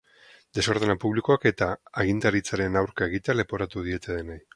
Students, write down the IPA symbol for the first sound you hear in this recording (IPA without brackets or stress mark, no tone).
d̪